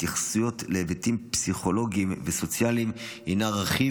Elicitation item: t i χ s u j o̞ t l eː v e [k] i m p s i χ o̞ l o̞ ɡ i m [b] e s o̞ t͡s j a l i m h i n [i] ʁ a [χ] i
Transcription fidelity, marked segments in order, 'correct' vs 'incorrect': incorrect: t, incorrect: v, incorrect: a, correct

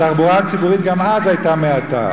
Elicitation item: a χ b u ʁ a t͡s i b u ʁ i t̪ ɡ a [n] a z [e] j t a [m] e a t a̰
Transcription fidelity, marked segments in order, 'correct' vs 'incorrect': incorrect: m, incorrect: a, correct

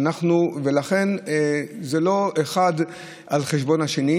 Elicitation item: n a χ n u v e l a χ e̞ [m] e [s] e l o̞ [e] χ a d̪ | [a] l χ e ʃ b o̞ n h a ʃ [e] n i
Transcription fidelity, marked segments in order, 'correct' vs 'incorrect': incorrect: n, incorrect: z, correct, correct, correct

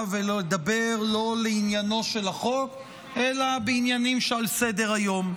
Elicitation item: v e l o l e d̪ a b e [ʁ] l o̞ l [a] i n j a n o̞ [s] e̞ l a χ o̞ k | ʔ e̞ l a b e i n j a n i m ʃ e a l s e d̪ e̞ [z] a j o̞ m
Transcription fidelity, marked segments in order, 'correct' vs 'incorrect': correct, incorrect: e, incorrect: ʃ, incorrect: ʁ

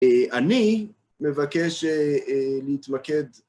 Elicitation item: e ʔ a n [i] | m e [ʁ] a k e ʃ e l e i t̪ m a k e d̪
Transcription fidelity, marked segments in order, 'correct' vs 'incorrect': correct, incorrect: v

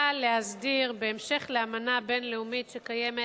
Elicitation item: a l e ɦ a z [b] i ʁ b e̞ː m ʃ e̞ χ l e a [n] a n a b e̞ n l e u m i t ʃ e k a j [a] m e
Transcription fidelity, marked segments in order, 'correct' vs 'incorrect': incorrect: d, incorrect: m, incorrect: e

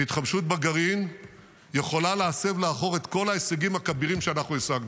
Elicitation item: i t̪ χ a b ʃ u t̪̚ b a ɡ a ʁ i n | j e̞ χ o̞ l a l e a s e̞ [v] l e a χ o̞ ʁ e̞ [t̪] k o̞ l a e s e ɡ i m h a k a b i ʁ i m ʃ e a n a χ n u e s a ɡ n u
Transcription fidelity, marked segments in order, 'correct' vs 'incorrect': correct, correct

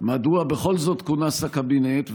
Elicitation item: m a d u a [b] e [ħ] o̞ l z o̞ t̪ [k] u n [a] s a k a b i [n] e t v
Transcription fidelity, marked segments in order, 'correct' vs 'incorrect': correct, incorrect: χ, correct, correct, correct

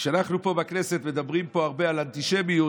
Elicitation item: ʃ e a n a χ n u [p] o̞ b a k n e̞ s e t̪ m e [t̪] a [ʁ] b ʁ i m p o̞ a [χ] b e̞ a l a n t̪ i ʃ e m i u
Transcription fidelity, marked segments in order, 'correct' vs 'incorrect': correct, incorrect: d̪, incorrect: none, incorrect: ʁ

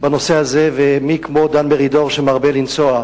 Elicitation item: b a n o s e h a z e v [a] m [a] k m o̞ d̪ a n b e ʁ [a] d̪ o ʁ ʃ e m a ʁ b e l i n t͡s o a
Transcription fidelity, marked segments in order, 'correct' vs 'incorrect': incorrect: e, incorrect: i, incorrect: i

